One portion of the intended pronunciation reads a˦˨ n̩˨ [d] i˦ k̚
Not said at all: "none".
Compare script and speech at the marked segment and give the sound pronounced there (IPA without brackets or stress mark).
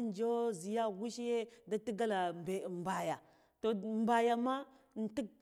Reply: t